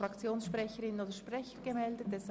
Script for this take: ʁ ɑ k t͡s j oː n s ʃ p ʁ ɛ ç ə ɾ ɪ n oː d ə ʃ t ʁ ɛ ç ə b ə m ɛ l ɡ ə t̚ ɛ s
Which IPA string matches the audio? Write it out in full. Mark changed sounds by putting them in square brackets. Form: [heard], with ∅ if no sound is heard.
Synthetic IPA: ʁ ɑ k t͡s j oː n s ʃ p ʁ ɛ ç ə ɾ ɪ n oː d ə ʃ [p] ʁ ɛ ç ə [ɡ] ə m ɛ l [d] ə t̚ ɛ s